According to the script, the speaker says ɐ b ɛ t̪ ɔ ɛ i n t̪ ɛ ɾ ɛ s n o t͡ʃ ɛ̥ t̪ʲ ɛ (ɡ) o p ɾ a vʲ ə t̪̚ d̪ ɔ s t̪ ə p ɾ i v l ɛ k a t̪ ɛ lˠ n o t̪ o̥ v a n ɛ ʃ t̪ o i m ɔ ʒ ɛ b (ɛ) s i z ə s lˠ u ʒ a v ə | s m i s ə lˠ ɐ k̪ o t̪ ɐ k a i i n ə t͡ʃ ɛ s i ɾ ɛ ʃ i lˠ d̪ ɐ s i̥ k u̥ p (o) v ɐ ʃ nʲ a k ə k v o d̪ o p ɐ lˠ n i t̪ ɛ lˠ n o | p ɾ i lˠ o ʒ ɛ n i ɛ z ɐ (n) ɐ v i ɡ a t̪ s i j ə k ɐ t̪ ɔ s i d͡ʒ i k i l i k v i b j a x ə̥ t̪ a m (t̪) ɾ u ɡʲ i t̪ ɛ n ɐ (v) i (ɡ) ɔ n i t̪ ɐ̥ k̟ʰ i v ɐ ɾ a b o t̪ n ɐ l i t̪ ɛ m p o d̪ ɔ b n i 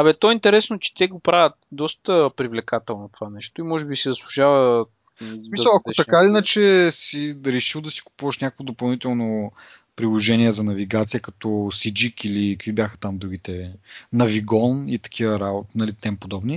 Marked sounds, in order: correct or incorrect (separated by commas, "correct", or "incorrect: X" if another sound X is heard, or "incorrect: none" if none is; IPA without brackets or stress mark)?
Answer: correct, incorrect: i, incorrect: u, correct, incorrect: d̪, correct, correct